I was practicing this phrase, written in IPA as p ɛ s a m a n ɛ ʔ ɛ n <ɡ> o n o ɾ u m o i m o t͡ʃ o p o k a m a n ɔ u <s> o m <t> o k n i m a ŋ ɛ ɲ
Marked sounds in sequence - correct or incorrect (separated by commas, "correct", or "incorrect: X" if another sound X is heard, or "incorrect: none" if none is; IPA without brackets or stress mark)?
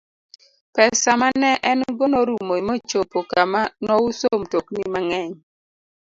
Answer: correct, correct, correct